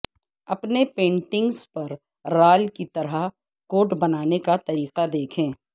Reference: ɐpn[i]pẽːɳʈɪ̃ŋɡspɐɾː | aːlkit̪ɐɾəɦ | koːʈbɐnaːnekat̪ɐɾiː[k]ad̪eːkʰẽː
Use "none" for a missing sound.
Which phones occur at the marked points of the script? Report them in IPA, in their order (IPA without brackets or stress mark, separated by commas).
e, q